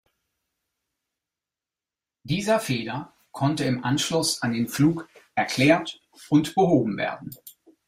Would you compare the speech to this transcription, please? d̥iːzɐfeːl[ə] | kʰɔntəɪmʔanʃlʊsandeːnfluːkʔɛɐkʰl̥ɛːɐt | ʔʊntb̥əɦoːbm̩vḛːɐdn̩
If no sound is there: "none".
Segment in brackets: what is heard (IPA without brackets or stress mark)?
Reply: ɐ